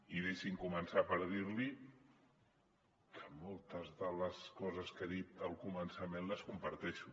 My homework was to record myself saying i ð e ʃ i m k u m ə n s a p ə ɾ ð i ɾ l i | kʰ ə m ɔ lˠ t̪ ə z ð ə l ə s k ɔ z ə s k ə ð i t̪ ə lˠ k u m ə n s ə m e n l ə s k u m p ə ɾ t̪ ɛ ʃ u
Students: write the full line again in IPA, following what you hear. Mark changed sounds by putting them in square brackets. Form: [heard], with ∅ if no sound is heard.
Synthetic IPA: i ð e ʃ i [ŋ] k u m ə n s a p ə ɾ ð i ɾ l i | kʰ ə m ɔ lˠ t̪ ə z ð ə l ə s k ɔ z ə s k ə ð i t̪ ə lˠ k u m ə n s ə m e n l ə s k u m p ə ɾ t̪ ɛ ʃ u